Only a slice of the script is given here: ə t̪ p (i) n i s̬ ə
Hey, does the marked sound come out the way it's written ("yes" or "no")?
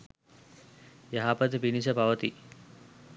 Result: yes